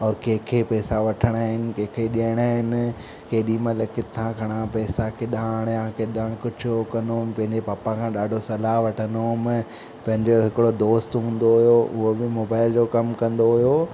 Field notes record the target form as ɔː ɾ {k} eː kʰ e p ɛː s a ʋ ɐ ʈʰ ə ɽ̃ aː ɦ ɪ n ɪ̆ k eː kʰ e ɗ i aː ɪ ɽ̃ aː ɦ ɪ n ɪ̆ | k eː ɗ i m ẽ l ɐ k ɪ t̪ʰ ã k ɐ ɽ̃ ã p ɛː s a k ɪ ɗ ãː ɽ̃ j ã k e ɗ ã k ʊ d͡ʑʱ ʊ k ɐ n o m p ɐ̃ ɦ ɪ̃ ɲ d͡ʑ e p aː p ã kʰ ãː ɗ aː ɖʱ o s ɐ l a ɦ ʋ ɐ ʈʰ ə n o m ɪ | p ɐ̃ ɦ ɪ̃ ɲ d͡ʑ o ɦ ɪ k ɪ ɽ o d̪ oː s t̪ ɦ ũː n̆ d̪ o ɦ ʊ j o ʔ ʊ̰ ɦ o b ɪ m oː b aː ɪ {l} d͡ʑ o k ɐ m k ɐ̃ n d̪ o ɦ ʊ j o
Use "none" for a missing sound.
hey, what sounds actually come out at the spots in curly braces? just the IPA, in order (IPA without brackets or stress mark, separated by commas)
k, l